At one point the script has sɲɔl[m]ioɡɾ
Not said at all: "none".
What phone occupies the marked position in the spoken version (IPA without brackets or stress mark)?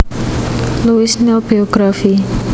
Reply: b